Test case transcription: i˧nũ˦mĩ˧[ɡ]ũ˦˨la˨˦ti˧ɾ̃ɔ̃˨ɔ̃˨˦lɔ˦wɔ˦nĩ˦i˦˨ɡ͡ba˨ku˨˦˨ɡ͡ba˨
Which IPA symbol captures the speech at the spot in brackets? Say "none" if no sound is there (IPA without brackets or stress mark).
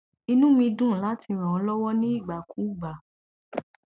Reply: d